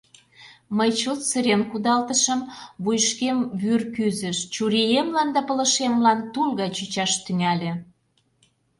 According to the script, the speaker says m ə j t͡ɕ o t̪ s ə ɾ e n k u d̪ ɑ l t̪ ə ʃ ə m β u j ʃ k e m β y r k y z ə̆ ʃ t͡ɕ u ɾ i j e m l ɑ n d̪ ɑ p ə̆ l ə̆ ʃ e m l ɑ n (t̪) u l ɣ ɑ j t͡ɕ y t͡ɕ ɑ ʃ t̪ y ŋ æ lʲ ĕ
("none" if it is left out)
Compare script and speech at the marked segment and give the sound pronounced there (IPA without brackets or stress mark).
t̪